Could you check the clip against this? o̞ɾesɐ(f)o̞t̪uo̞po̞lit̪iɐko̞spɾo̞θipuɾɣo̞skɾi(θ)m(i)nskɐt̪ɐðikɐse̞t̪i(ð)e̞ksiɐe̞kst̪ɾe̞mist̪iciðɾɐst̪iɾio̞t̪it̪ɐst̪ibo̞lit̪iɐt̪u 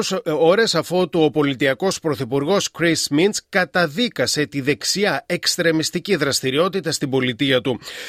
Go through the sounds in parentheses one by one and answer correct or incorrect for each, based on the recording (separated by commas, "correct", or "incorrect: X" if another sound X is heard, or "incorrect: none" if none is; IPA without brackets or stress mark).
correct, incorrect: s, correct, correct